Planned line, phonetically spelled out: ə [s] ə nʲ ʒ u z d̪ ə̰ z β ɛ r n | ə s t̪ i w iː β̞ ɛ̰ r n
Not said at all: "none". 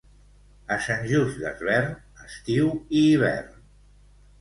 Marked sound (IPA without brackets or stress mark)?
s